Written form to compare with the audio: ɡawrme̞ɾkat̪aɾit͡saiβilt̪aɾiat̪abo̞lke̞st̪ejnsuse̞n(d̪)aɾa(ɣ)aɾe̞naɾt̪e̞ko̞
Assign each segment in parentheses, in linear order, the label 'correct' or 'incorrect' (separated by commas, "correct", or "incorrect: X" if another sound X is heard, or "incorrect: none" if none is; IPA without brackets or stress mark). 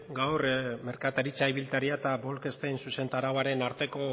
incorrect: t̪, incorrect: w